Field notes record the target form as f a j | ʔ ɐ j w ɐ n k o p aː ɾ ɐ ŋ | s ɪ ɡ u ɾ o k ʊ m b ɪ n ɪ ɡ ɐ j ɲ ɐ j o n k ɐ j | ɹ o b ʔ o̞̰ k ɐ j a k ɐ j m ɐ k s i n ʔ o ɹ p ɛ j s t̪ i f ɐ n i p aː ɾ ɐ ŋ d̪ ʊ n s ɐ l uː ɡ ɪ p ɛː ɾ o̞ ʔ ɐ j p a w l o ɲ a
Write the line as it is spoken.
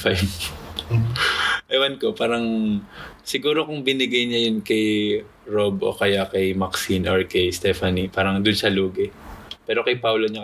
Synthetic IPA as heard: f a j | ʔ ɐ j w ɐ n k o p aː ɾ ɐ ŋ | s ɪ ɡ uː ɾ o k ʊ ŋ b ɪ n ɪ ɡ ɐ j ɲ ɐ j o n k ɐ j | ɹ o b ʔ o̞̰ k ɐ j a k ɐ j m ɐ k s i n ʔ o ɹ k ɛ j s t̪ ɛ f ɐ n i p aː ɾ ɐ ŋ d̪ ʊ n s ɐ l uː ɡ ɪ p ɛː ɾ o̞ k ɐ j p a w l o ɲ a